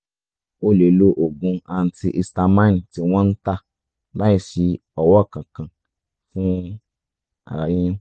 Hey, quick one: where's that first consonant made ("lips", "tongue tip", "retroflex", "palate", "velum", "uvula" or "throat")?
tongue tip